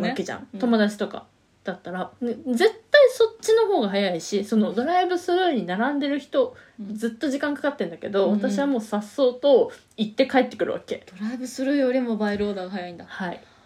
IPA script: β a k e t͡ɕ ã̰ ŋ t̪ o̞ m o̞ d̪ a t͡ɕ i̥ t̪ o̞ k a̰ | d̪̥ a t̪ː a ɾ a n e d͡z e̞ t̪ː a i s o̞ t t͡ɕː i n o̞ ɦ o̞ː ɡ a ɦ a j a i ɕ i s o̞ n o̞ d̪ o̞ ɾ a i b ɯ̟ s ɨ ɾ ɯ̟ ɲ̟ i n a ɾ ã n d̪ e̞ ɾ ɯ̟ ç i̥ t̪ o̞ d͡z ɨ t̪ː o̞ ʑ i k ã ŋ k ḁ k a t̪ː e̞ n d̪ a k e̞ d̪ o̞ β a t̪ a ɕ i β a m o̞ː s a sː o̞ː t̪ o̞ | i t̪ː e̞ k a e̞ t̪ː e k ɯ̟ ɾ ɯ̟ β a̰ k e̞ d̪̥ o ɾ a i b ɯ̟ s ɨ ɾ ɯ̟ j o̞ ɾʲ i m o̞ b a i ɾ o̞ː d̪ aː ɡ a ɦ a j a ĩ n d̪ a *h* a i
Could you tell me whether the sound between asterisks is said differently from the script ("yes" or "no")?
no